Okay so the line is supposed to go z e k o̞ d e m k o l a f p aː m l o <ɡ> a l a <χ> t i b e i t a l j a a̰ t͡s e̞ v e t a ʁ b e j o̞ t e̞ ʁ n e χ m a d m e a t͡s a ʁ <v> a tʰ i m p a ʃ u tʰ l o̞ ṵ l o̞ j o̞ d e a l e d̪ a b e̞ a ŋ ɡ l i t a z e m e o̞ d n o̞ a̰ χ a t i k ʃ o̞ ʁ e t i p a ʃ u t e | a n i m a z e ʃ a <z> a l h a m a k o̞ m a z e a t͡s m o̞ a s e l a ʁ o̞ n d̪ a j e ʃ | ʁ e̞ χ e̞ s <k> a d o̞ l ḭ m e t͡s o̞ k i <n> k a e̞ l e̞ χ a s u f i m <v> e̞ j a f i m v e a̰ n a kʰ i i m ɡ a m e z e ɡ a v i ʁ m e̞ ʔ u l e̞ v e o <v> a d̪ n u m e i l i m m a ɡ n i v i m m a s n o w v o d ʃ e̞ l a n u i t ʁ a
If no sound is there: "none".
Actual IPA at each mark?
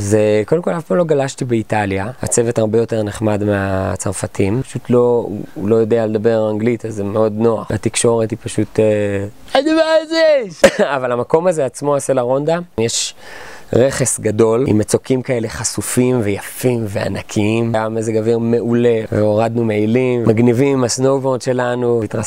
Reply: ɡ, ʃ, f, v, ɡ, m, v, ʁ

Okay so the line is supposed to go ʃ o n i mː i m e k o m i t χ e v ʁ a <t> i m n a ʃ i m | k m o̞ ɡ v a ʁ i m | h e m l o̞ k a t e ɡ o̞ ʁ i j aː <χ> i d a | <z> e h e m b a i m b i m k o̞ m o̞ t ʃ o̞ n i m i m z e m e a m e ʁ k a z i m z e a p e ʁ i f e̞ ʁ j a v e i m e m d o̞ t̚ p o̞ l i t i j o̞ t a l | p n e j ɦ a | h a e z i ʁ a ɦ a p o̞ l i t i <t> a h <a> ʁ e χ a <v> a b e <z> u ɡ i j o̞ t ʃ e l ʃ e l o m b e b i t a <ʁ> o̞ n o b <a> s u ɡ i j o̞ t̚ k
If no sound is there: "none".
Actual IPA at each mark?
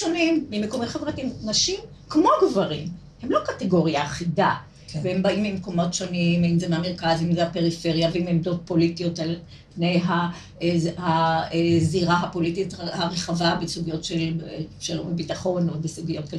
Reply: t, χ, v, t, a, v, s, χ, e

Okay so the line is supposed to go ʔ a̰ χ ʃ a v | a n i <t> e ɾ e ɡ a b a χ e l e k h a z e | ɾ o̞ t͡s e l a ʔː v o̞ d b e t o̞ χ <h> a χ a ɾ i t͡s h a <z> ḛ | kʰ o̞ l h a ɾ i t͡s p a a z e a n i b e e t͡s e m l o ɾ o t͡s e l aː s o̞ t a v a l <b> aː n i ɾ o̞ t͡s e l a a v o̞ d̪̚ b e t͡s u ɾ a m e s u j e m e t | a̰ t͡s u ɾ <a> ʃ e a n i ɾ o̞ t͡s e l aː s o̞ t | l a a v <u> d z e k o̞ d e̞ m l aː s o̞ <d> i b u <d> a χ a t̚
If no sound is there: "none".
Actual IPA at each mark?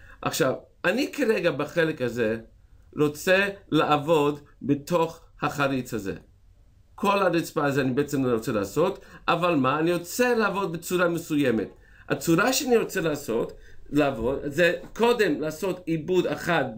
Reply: k, h, z, m, a, o, t, d

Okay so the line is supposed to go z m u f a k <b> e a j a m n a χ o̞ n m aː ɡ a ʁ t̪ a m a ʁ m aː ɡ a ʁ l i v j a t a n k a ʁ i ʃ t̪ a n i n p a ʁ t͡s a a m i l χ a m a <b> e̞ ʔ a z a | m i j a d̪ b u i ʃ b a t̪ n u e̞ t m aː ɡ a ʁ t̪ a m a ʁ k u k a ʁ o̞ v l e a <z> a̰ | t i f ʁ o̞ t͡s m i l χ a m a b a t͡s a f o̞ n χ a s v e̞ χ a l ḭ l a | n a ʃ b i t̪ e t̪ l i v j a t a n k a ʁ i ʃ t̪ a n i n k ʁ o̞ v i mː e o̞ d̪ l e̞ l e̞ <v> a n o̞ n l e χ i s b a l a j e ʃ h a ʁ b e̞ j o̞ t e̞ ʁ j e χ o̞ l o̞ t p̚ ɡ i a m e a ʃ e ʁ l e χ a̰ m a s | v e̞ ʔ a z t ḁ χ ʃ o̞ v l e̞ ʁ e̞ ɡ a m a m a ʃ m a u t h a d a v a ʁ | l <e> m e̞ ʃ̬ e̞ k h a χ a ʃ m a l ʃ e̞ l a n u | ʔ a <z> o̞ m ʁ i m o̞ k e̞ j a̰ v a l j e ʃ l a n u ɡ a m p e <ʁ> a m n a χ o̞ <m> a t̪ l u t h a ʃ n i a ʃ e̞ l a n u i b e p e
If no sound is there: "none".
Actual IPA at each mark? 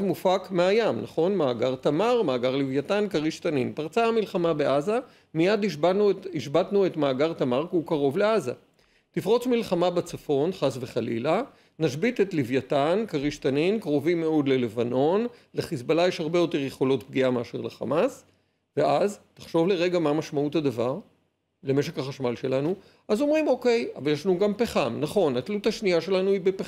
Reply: m, b, z, v, e, z, χ, n

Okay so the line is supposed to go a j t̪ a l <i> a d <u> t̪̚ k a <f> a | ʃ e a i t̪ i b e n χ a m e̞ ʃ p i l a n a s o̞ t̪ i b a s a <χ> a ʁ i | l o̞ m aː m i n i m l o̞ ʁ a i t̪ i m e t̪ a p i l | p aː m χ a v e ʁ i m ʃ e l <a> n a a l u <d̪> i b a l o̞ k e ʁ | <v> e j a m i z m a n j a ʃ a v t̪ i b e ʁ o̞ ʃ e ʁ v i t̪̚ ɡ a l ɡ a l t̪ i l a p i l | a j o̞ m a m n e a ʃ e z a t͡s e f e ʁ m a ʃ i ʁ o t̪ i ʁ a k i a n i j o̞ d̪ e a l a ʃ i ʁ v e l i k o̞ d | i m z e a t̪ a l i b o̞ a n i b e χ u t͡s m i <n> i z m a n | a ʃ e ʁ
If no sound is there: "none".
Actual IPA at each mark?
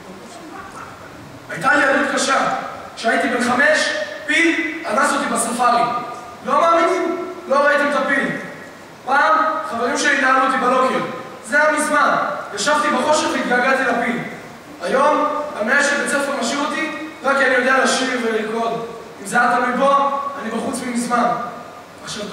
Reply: i, u, ʃ, f, i, t̪, z, m

